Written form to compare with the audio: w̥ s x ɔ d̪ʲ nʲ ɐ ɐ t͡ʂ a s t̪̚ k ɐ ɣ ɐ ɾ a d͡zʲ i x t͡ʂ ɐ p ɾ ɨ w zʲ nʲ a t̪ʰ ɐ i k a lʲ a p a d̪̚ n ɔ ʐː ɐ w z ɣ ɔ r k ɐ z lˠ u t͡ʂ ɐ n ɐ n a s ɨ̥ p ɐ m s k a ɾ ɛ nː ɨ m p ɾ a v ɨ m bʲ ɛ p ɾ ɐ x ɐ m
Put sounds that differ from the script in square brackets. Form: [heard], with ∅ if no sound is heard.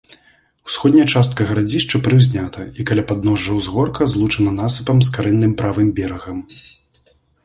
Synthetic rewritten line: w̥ s x ɔ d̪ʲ nʲ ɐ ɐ t͡ʂ a s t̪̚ k ɐ ɣ ɐ ɾ a d͡zʲ i [ʂ] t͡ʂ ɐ p ɾ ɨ w zʲ nʲ a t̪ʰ ɐ i k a lʲ a p a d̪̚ n ɔ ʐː ɐ w z ɣ ɔ r k ɐ z lˠ u t͡ʂ ɐ n ɐ n a s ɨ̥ p ɐ m s k a ɾ ɛ nː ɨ m p ɾ a v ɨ m bʲ ɛ [∅] ɾ ɐ [ɣ] ɐ m